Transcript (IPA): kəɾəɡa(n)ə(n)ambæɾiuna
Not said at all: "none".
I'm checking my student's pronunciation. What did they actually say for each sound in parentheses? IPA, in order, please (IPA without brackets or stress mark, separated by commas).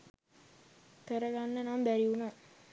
nː, n